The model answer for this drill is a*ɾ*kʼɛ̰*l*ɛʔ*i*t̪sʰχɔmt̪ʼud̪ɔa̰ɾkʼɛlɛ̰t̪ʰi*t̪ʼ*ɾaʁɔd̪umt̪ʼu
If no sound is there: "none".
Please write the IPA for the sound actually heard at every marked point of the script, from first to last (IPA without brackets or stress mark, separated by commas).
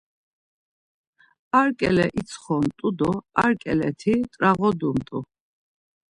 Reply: ɾ, l, i, t̪ʼ